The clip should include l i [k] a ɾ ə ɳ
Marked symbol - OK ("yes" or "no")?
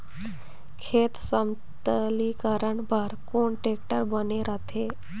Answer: yes